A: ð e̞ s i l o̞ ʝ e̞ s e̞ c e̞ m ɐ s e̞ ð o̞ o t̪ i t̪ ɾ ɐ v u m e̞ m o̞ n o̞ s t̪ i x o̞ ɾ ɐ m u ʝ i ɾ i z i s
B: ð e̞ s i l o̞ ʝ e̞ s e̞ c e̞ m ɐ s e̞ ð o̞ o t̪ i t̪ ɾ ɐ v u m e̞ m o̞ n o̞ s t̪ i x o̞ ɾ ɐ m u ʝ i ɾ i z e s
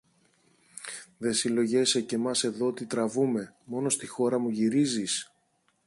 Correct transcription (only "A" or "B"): A